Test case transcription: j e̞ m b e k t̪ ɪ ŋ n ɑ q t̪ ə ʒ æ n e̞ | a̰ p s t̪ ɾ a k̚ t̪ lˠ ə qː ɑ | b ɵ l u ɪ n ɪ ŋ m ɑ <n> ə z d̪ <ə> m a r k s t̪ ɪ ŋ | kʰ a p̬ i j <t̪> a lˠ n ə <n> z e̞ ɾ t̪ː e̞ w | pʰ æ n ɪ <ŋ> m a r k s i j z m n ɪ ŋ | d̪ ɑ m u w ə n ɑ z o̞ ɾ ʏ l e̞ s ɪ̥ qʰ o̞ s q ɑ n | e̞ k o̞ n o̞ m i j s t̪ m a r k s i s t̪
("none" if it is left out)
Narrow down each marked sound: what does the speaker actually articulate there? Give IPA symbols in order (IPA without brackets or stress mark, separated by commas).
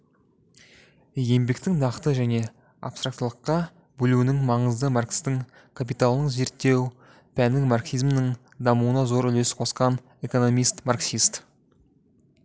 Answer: ɴ, ə, t̪, ɴ, ŋ